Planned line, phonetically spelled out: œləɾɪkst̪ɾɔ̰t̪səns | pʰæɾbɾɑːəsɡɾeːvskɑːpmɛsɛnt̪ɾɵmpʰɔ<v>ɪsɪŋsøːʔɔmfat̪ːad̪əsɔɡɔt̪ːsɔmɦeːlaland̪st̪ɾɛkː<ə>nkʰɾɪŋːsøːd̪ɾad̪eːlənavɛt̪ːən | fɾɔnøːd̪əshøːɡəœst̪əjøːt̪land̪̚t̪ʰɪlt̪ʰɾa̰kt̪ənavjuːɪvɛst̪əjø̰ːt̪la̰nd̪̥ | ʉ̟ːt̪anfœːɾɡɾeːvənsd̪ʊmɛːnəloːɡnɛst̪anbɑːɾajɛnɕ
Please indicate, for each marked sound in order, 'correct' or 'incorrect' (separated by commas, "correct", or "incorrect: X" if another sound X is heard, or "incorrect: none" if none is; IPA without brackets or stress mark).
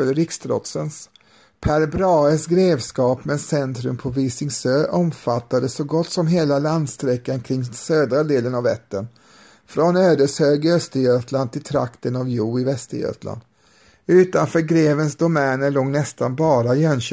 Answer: correct, incorrect: a